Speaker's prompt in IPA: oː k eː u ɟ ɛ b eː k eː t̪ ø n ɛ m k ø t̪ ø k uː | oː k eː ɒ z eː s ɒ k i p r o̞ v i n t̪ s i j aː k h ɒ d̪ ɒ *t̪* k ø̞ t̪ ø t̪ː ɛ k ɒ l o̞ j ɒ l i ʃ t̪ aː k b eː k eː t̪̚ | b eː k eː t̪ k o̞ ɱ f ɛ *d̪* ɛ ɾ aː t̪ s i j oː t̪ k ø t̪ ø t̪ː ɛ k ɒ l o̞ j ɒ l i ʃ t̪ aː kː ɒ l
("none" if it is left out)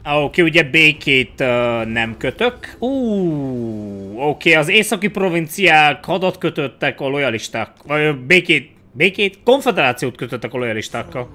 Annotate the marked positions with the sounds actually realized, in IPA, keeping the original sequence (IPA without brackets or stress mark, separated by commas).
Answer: t̪, d̪